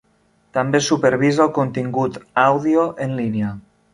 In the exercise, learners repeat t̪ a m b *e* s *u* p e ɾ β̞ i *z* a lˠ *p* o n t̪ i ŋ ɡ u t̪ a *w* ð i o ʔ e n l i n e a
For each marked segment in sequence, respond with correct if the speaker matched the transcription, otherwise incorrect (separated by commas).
correct, correct, correct, incorrect, correct